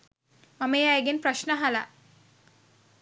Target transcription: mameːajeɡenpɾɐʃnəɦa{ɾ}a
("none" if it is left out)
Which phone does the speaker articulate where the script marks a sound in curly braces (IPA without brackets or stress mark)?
l